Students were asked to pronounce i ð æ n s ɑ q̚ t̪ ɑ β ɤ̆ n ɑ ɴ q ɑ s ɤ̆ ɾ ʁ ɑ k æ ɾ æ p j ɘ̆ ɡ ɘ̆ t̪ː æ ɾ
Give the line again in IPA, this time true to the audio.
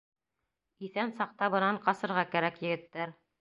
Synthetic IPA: i θ æ n s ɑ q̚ t̪ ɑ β ɤ̆ n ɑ ɴ q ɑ s ɤ̆ ɾ ʁ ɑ k æ ɾ æ k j ɘ̆ ɡ ɘ̆ t̪ː æ ɾ